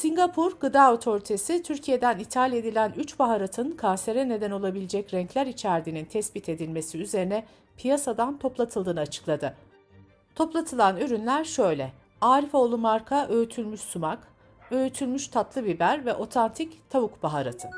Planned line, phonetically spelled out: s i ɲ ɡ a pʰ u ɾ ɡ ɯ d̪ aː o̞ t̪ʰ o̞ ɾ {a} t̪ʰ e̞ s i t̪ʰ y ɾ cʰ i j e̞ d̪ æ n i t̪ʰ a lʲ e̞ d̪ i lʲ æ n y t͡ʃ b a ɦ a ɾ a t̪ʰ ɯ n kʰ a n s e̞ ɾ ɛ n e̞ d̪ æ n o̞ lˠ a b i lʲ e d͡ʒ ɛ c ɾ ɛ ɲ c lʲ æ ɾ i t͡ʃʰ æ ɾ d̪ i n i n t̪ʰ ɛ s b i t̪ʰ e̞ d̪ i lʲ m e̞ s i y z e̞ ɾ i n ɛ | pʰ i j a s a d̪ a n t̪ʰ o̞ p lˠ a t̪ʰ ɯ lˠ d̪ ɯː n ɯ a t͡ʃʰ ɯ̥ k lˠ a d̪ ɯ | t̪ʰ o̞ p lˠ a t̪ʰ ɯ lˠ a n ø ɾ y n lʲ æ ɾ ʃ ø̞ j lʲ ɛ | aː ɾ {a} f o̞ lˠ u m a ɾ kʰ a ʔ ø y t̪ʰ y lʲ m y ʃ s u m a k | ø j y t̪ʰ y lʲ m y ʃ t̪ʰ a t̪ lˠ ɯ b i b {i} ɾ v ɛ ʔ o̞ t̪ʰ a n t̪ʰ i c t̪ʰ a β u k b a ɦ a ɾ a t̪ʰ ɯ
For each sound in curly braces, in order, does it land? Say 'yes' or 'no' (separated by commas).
no, no, no